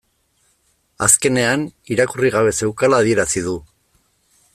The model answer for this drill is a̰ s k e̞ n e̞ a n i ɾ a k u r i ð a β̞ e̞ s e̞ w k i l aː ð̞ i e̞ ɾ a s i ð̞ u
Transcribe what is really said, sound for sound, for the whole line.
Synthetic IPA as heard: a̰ s k e̞ n e̞ a n i ɾ a k u r i ɣ a β̞ e̞ s e̞ w k a l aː ð̞ i e̞ ɾ a s i ð̞ u